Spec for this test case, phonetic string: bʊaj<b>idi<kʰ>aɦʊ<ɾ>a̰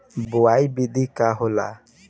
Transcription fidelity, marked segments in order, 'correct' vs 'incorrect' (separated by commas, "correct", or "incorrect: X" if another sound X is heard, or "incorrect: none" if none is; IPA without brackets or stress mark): correct, incorrect: k, incorrect: l